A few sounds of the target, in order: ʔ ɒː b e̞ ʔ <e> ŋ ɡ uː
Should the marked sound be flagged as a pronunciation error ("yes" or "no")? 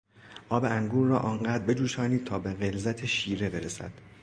yes